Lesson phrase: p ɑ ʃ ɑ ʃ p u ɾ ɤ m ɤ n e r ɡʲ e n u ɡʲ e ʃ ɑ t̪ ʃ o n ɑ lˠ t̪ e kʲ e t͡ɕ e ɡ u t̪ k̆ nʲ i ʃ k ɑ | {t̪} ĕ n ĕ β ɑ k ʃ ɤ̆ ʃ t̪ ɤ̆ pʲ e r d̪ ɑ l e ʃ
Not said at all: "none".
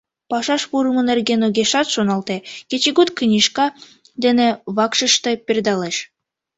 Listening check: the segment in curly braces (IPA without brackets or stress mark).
d̪